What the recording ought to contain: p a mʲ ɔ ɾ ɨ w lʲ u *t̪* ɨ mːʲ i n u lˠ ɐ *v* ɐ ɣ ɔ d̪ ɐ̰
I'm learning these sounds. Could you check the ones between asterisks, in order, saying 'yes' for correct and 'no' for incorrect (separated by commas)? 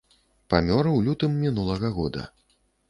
yes, no